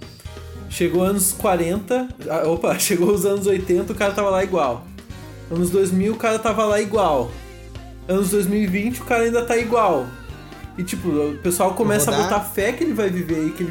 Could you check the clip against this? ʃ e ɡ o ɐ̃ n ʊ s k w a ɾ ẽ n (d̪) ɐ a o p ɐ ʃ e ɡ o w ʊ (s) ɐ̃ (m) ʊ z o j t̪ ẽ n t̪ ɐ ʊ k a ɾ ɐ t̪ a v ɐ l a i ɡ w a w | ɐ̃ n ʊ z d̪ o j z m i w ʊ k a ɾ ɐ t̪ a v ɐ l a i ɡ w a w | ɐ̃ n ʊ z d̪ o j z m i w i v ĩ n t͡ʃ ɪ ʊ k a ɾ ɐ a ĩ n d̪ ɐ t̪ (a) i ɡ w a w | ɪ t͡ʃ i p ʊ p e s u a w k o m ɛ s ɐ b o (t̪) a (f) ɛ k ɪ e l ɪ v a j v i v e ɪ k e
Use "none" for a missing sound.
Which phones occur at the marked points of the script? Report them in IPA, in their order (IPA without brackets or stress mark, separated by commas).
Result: t̪, z, n, a, t̪, f